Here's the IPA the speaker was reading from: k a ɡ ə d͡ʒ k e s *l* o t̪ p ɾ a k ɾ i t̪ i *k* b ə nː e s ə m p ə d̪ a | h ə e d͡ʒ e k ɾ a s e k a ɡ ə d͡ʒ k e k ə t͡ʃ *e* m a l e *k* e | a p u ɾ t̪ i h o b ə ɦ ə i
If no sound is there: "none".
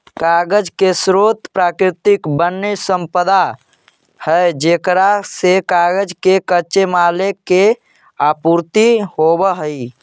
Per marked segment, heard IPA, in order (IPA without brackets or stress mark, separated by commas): ɾ, k, e, k